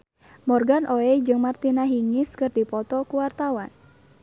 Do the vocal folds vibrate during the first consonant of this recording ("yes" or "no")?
yes